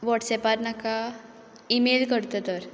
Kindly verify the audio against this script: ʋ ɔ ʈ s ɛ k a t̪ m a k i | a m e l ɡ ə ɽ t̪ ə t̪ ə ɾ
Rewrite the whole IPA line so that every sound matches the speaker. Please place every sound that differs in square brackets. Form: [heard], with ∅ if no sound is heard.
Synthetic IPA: ʋ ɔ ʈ s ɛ [p] a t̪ [n] a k [a] | [i] m e l [k] ə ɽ t̪ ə t̪ ə ɾ